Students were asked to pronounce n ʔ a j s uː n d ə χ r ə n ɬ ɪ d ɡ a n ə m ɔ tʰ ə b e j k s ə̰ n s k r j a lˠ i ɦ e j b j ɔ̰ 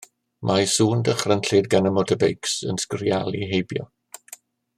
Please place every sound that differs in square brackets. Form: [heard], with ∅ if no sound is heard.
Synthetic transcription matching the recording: [m] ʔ a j s uː n d ə χ r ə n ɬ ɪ d ɡ a n ə m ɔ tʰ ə b e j k s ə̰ n s k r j a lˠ i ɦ e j b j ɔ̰

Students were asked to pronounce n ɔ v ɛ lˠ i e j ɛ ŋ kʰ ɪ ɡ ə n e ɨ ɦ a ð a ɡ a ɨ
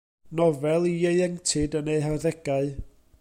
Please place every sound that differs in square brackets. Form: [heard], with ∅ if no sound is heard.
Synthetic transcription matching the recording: n ɔ v ɛ lˠ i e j ɛ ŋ [tʰ] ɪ [d] ə n e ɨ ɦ a ð [ɛ] ɡ a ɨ

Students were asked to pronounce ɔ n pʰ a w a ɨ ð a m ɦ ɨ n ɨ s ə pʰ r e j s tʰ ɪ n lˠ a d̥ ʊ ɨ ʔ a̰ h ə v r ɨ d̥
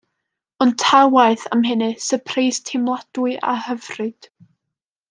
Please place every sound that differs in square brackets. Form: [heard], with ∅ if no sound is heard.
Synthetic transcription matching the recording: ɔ n [tʰ] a w a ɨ [θ] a m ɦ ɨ n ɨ s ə pʰ r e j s tʰ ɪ [m] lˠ a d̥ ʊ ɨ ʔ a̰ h ə v r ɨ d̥

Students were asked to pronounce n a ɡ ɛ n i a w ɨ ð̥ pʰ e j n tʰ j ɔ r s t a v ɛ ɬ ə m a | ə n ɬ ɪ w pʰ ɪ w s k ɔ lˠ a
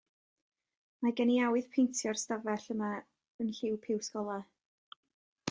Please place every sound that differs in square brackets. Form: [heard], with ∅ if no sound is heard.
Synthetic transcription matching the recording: [m] a ɡ ɛ n i a w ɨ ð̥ pʰ e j n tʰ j ɔ r s t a v ɛ ɬ ə m a | ə n ɬ ɪ w pʰ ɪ w s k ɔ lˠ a

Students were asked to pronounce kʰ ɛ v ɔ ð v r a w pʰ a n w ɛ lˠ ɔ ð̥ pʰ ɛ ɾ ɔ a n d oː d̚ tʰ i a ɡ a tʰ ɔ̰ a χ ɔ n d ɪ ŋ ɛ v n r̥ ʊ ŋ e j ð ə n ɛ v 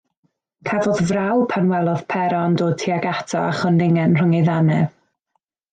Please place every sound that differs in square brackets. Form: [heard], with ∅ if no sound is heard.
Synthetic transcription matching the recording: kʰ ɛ v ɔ ð v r a w pʰ a n w ɛ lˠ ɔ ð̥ pʰ ɛ ɾ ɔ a n d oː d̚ tʰ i a ɡ a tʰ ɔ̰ a χ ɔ n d ɪ ŋ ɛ [∅] n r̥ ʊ ŋ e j ð [a] n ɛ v

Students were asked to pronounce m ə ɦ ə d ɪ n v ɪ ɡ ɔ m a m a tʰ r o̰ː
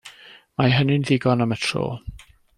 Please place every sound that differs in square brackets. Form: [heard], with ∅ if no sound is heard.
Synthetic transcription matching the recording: m [a] ɦ ə [n] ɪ n [ð] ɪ ɡ ɔ [n] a m [ə] tʰ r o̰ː

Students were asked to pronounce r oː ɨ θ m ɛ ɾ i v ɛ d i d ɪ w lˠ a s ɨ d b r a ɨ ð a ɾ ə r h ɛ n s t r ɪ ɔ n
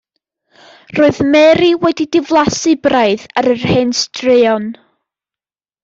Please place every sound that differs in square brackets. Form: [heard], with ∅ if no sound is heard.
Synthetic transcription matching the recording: r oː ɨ [ð] m ɛ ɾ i [w] ɛ d i d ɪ [v] lˠ a s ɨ [∅] b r a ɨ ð a ɾ ə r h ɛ n s t r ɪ ɔ n

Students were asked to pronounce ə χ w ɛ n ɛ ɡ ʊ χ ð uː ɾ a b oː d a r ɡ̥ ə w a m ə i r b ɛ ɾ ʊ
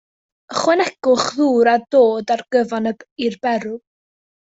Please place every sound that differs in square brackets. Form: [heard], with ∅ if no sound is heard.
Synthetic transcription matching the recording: ə χ w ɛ n ɛ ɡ ʊ χ ð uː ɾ a [d] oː d a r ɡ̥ ə [v] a [n] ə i r b ɛ ɾ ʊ

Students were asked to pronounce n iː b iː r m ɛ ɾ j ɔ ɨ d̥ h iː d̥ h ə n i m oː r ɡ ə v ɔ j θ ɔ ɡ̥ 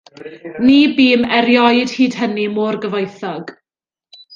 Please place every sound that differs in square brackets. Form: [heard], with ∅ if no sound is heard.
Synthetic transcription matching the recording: n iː b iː [∅] m ɛ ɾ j ɔ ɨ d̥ h iː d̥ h ə n i m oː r ɡ ə v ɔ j θ ɔ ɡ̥

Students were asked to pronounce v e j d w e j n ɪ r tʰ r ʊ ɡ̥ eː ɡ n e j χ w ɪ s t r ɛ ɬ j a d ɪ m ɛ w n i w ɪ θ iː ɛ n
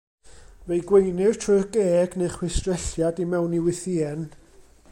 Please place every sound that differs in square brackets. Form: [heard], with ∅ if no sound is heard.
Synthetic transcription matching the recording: v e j [ɡ] w e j n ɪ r tʰ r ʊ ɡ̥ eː ɡ n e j χ w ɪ s t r ɛ ɬ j a d [i] m ɛ w n i w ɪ θ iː ɛ n

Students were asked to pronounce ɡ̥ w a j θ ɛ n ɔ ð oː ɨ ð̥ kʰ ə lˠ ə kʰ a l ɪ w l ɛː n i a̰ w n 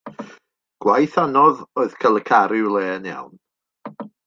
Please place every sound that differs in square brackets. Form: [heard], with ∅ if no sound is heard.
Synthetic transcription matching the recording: ɡ̥ w a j θ [a] n ɔ ð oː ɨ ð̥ kʰ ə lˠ ə kʰ a [ɾ] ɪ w l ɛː n [j] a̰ w n

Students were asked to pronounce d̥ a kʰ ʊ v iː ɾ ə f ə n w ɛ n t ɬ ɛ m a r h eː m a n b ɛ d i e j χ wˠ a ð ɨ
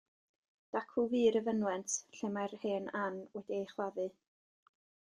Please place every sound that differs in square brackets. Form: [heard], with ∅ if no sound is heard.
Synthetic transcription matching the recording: d̥ a kʰ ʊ v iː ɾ ə [v] ə n w ɛ n t ɬ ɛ m a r h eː [n] a n [w] ɛ d i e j χ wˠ a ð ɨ

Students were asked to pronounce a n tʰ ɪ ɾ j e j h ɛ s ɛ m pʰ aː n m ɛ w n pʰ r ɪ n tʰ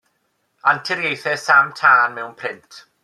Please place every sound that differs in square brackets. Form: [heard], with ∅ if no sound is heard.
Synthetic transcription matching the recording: a n tʰ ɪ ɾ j e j [θ] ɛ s [a] m [tʰ] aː n m ɛ w n pʰ r ɪ n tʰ

